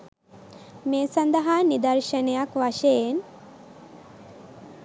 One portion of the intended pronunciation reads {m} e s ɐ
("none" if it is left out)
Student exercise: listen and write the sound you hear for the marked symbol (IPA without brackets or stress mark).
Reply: m